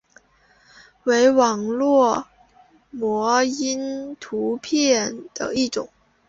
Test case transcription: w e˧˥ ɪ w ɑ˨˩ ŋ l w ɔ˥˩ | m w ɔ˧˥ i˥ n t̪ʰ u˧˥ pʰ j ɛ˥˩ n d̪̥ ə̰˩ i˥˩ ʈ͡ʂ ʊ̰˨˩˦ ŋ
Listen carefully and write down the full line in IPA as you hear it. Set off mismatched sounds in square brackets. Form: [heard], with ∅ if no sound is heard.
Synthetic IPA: w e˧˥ ɪ w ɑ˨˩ ŋ l w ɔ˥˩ | m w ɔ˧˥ i˥ n t̪ʰ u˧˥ pʰ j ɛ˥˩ n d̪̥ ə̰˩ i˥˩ ʈ͡ʂ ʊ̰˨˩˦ ŋ